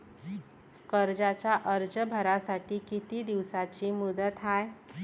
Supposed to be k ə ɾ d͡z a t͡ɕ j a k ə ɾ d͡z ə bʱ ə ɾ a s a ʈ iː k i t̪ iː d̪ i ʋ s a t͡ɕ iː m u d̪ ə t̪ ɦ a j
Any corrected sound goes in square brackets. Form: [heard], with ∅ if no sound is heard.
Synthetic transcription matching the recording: k ə ɾ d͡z a t͡ɕ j a [ʔ] ə ɾ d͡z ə bʱ ə ɾ a s a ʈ iː k i t̪ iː d̪ i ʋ s a t͡ɕ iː m u d̪ ə t̪ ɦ a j